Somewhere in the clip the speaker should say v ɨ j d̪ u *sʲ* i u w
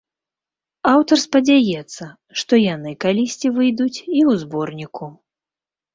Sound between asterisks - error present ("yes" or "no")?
yes